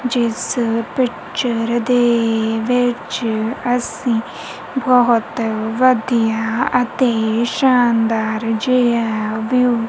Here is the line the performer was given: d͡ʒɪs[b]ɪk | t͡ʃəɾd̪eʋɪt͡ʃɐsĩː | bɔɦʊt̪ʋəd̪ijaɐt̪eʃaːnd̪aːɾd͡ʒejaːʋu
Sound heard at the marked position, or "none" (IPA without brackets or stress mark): p